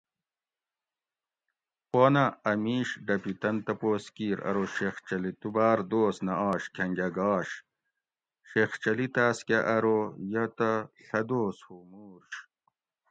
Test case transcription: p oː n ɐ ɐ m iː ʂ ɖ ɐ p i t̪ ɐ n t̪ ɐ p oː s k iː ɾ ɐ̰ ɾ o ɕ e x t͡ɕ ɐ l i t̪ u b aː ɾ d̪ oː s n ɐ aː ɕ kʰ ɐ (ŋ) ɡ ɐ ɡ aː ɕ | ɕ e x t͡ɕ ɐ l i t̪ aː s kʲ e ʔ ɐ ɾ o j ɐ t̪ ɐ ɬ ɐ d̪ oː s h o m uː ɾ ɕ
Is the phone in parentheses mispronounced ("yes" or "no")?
no